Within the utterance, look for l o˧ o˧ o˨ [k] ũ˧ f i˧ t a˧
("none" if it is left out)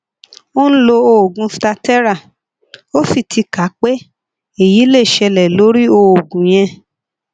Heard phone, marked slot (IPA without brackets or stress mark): ɡ